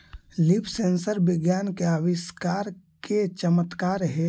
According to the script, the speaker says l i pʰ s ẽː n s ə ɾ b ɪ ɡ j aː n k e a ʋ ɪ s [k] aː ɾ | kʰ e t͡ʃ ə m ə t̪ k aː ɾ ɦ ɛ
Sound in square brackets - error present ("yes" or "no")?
no